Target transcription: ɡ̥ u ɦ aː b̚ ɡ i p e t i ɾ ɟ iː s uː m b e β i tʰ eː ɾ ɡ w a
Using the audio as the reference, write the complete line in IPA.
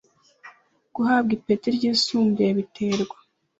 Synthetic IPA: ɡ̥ u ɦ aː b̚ ɡ i p e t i ɾ ɟ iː s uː m b e β i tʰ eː ɾ ɡ w a